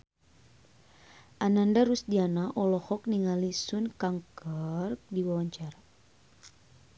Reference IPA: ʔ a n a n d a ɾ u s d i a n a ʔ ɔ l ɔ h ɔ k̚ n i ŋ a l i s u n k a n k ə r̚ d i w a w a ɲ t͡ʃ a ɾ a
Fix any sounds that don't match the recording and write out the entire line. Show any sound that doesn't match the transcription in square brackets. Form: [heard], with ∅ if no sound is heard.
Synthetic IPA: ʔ a n a n d a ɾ u s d i a n a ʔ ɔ l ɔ h ɔ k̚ n i ŋ a l i s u n k a [ŋ] k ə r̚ d i w a w a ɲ t͡ʃ a ɾ a